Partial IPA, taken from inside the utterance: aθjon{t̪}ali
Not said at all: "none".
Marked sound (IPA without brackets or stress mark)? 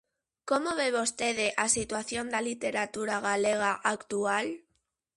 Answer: d̪